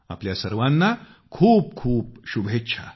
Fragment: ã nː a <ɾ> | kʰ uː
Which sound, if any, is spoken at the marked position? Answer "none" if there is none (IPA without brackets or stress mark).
none